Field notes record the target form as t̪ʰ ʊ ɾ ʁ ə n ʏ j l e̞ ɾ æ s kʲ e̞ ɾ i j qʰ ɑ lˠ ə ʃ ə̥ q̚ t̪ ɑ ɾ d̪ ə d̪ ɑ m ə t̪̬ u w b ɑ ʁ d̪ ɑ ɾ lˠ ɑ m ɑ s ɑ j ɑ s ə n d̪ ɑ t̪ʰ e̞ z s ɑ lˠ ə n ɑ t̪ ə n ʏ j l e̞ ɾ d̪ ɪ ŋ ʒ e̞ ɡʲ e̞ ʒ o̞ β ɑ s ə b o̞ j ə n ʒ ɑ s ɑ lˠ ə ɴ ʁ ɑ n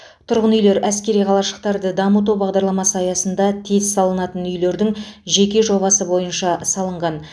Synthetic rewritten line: t̪ʰ ʊ ɾ ʁ ə n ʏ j l e̞ ɾ æ s kʲ e̞ ɾ i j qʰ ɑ lˠ ɑ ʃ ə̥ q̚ t̪ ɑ ɾ d̪ ə d̪ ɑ m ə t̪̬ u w b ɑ ʁ d̪ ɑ ɾ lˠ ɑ m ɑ s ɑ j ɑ s ə n d̪ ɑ t̪ʰ e̞ z s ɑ lˠ ə n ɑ t̪ ə n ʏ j l e̞ ɾ d̪ ɪ ŋ ʒ e̞ kʲ e̞ ʒ o̞ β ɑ s ə b o̞ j ə n ʃ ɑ s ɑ lˠ ə ɴ ʁ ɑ n